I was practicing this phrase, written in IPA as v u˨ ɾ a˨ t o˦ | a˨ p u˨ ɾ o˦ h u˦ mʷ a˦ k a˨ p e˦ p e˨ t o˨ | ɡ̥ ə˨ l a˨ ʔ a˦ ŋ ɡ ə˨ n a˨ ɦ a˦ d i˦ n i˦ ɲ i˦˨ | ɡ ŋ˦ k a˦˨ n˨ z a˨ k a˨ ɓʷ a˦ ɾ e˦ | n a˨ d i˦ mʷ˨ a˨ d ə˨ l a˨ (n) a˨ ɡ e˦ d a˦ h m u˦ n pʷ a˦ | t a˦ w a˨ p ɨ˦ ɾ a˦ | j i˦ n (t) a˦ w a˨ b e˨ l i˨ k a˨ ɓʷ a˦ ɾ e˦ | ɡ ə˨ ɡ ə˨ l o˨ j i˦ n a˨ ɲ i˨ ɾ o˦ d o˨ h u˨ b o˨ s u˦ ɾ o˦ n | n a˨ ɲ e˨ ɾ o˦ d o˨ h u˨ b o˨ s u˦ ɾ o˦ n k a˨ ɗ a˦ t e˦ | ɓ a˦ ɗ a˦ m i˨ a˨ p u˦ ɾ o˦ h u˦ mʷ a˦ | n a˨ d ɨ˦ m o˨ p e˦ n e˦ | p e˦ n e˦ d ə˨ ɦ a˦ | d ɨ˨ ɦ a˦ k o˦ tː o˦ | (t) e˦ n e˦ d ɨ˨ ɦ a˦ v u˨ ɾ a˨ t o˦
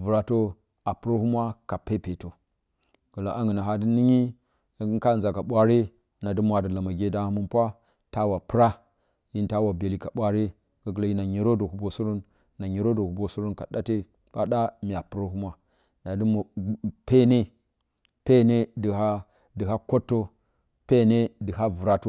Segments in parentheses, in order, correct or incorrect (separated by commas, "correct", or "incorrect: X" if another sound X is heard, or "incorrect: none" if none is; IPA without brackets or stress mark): incorrect: m, correct, incorrect: p